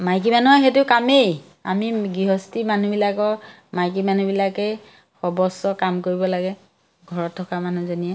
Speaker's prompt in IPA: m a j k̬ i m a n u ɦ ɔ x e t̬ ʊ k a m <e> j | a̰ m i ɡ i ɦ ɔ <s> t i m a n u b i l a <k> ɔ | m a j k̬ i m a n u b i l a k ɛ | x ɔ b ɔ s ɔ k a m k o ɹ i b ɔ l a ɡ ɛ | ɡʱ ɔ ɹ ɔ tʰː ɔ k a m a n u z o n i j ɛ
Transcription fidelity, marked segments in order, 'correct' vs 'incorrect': correct, correct, correct

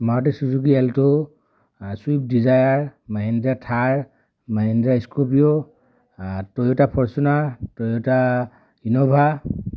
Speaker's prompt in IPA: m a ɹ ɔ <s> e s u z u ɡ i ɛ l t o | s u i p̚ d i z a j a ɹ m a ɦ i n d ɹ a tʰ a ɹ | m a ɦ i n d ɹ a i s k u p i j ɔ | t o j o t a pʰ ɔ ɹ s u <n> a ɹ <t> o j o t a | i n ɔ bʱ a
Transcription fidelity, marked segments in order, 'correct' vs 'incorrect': incorrect: t, correct, correct

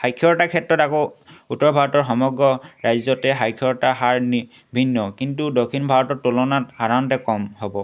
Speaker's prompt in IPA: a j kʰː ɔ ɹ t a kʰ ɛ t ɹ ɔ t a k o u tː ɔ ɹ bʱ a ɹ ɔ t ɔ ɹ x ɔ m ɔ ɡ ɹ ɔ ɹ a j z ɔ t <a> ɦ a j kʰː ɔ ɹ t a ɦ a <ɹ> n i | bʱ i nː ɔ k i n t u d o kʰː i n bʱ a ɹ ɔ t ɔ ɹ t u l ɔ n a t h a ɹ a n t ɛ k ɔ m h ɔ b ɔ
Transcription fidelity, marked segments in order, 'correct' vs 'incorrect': incorrect: ɛ, correct

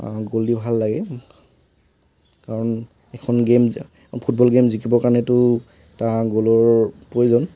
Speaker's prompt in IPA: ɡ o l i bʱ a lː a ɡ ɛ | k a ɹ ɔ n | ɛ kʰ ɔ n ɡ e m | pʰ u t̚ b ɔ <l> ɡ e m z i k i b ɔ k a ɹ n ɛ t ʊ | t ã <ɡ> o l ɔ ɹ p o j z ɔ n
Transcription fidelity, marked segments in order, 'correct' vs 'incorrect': correct, correct

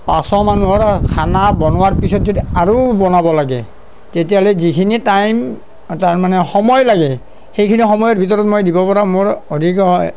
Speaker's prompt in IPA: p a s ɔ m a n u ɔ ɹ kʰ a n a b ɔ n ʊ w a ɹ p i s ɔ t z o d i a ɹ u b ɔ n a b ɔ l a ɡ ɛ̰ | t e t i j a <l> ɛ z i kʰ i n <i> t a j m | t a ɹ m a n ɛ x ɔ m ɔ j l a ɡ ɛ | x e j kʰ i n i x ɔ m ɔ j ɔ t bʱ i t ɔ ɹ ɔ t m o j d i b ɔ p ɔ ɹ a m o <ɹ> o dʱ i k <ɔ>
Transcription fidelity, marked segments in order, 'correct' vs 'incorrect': correct, correct, correct, correct

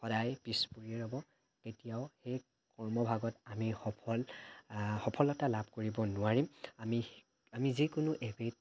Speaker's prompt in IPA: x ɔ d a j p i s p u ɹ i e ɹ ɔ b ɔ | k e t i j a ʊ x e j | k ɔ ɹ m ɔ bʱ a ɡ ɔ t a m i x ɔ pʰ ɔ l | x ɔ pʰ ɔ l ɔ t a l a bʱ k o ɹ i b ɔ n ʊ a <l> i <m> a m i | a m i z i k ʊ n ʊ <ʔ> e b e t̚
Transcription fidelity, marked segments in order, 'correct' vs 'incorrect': incorrect: ɹ, correct, correct

